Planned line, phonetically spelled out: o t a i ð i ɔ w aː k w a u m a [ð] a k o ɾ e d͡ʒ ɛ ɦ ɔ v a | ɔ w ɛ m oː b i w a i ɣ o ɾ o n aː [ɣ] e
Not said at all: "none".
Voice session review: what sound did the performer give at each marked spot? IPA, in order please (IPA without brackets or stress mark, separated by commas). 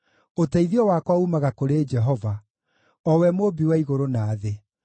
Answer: ɣ, ð